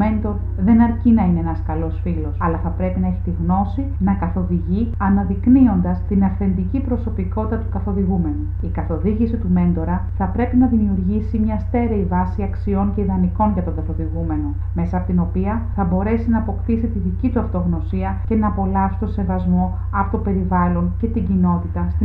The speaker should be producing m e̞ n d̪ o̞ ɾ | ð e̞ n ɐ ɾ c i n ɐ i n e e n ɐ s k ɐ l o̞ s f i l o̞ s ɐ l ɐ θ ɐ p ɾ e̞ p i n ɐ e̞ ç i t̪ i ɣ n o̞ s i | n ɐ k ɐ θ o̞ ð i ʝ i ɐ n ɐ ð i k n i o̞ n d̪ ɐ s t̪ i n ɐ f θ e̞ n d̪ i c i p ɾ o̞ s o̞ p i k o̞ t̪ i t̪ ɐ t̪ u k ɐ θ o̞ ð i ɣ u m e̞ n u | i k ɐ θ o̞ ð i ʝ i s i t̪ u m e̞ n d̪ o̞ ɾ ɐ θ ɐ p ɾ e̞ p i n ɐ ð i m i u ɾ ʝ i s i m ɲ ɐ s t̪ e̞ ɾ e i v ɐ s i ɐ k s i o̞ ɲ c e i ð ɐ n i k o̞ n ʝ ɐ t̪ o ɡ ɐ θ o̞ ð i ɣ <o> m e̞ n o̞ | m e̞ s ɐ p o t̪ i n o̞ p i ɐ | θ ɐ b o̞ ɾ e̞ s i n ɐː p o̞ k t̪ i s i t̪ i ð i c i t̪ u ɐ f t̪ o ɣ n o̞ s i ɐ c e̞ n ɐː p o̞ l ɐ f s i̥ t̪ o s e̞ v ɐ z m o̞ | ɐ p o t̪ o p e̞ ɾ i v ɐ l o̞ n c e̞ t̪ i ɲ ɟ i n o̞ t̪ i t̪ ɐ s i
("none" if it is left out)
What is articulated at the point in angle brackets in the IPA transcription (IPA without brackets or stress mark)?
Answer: u